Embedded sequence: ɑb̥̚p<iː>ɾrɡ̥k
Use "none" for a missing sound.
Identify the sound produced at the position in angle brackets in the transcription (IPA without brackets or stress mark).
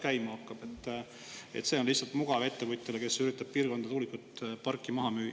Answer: iː